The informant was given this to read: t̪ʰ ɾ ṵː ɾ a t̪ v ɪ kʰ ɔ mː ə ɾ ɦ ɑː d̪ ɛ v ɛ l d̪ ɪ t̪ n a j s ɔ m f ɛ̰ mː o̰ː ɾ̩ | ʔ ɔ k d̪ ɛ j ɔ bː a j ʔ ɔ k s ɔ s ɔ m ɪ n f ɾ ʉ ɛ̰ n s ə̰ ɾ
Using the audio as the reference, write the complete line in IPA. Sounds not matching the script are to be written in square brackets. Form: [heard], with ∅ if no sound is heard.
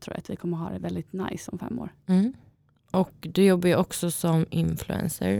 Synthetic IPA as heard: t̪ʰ ɾ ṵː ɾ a t̪ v ɪ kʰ ɔ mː ə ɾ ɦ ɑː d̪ ɛ v ɛ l d̪ ɪ t̪ n a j s ɔ m f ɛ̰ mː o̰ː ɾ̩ | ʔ ɔ k d̪ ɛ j ɔ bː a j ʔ ɔ k s ɔ s ɔ m ɪ n f [l] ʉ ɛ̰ n s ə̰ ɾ